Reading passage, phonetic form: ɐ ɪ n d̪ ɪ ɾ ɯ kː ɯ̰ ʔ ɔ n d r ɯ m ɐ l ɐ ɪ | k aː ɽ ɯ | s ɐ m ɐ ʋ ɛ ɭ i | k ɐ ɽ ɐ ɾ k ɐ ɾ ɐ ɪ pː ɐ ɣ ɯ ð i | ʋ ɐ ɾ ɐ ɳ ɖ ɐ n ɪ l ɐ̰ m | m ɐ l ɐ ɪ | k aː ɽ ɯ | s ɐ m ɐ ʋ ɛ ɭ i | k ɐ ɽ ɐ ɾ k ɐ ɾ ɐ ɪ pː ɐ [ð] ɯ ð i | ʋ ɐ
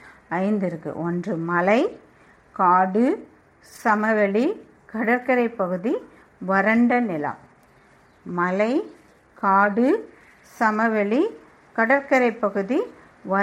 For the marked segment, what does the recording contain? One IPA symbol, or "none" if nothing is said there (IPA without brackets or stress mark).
ɣ